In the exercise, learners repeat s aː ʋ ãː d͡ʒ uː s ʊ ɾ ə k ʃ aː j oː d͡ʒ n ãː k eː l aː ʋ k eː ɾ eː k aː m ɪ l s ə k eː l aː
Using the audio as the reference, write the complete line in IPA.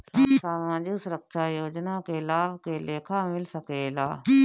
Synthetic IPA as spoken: s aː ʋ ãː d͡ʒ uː s ʊ ɾ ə k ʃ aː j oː d͡ʒ n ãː k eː l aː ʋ k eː l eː kʰ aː m ɪ l s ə k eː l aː